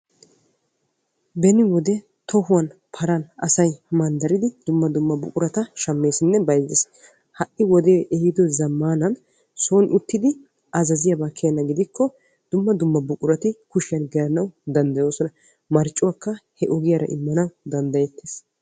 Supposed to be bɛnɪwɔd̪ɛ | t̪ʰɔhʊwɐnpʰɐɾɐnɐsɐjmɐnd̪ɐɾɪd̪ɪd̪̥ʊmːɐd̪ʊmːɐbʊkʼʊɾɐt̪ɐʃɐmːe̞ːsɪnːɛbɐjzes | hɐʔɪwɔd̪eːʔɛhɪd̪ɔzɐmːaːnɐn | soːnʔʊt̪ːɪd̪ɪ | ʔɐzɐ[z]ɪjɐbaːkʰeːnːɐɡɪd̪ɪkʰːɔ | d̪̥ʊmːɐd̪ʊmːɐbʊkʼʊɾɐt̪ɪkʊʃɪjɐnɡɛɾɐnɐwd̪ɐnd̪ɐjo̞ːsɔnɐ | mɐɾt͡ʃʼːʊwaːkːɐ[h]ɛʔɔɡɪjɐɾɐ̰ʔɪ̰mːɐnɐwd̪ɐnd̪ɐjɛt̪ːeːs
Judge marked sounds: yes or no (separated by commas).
yes, yes